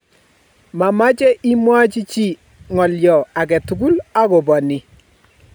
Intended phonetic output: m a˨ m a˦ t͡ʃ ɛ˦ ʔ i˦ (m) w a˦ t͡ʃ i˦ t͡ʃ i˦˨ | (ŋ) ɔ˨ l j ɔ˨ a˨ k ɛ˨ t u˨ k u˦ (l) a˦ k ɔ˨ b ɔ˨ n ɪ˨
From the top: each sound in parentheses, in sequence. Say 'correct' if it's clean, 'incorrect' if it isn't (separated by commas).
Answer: correct, correct, correct